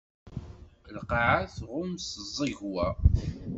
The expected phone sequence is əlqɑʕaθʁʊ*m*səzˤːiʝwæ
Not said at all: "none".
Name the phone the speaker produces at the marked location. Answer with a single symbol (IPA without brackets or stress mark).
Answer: m